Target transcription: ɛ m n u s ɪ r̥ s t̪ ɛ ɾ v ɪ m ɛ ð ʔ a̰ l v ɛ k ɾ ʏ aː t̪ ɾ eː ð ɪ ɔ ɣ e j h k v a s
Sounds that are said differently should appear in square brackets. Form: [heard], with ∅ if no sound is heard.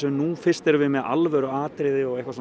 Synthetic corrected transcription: ɛ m n u [f] ɪ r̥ s t̪ ɛ ɾ v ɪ m ɛ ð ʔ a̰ l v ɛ [∅] ɾ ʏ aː t̪ ɾ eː ð ɪ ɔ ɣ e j h k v a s